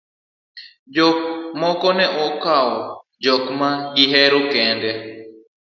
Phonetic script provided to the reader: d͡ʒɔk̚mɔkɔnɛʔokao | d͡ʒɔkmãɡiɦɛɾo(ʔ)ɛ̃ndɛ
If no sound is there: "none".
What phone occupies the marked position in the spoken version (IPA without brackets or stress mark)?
k